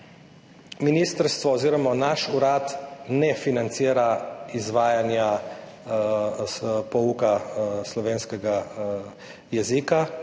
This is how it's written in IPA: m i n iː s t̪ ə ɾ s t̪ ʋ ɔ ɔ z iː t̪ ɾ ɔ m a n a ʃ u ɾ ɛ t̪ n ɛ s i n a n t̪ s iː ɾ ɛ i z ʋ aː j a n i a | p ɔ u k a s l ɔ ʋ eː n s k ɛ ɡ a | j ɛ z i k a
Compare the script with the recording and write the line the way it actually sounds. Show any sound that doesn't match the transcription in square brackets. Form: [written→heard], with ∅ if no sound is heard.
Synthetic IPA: m i n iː s t̪ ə ɾ s t̪ ʋ ɔ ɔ z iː [t̪→∅] ɾ ɔ m a n a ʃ u ɾ [ɛ→a] t̪ n ɛ [s→f] i n a n t̪ s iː ɾ [ɛ→a] i z ʋ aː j a n [i→j] a | p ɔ u k a s l ɔ ʋ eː n s k ɛ ɡ a | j ɛ z i k a